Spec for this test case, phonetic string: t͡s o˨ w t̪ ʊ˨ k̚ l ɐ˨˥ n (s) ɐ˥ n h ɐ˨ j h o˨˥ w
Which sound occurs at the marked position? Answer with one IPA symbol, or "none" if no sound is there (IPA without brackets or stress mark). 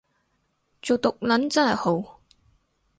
t͡s